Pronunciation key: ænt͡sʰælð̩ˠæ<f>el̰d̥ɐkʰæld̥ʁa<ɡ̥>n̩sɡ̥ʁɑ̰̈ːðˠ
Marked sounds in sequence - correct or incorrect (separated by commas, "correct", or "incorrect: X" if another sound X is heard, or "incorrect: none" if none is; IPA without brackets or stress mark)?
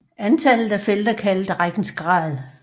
correct, correct